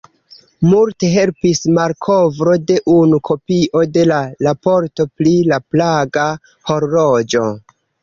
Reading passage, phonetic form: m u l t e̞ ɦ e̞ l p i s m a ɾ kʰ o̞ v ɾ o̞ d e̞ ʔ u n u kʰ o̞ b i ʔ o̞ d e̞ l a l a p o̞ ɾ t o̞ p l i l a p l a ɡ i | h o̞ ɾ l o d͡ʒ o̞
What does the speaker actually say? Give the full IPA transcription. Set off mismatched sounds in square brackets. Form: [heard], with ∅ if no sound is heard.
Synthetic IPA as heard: m u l t e̞ ɦ e̞ l p i s m a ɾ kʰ o̞ v ɾ o̞ d e̞ ʔ u n u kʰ o̞ [p] i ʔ o̞ d e̞ l a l a p o̞ ɾ t o̞ p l i l a p l a ɡ [a] | h o̞ ɾ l o d͡ʒ o̞